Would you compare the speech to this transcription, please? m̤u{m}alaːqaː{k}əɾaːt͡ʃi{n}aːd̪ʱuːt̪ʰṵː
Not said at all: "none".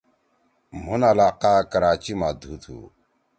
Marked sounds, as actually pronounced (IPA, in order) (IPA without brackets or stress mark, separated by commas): n, k, m